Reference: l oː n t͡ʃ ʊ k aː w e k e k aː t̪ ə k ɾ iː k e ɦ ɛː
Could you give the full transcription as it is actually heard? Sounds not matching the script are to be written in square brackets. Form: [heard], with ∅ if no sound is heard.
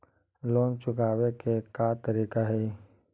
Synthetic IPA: l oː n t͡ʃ ʊ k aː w e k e k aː t̪ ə [∅] ɾ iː k [a] ɦ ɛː